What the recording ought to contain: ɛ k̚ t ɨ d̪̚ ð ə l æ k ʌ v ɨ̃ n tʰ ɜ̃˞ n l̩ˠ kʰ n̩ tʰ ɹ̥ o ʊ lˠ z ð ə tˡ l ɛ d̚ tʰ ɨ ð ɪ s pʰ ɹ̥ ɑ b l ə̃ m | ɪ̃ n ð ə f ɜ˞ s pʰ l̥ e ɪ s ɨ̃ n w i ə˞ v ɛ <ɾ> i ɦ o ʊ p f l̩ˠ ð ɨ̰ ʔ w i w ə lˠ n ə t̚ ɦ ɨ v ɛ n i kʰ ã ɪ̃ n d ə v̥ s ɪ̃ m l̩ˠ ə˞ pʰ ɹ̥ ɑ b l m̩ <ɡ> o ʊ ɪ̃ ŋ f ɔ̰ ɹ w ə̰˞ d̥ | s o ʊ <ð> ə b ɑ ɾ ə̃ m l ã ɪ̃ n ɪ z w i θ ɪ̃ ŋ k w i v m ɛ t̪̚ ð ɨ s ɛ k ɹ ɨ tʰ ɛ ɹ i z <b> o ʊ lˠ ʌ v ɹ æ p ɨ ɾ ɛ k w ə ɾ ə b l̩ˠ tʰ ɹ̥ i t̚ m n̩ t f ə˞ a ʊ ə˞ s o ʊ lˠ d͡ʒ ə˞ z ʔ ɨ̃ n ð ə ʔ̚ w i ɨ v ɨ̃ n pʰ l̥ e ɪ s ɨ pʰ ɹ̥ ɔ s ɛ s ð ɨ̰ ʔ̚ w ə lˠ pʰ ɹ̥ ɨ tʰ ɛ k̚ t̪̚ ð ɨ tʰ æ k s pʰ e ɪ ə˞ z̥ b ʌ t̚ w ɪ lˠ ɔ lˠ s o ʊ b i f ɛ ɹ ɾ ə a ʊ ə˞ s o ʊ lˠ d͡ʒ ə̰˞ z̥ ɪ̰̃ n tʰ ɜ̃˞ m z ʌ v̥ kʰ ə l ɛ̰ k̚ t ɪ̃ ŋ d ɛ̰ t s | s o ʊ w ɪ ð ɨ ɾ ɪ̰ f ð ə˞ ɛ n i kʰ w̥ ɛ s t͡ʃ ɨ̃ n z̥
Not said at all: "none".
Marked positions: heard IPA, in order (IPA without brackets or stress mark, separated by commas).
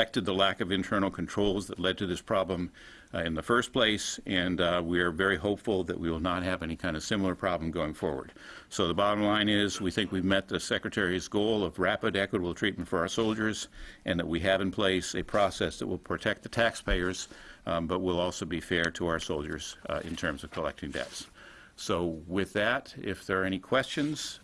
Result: ɹ, ɡ, ð, ɡ